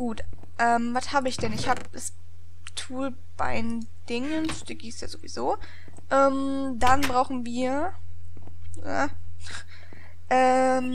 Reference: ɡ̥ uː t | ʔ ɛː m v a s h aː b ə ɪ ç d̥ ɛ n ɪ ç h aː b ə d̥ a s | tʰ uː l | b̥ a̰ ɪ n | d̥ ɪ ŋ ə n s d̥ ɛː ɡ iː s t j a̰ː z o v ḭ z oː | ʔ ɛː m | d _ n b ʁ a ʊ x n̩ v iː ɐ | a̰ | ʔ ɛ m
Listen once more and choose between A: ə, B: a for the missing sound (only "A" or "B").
B